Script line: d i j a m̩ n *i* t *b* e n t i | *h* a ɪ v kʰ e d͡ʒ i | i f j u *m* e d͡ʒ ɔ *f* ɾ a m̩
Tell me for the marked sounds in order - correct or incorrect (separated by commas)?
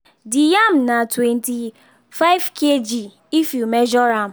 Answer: incorrect, incorrect, incorrect, correct, incorrect